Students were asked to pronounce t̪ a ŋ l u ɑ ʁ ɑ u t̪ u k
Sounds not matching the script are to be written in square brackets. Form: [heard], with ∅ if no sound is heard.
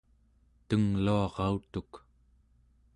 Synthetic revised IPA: t̪ [ə] ŋ l u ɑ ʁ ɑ u t̪ u k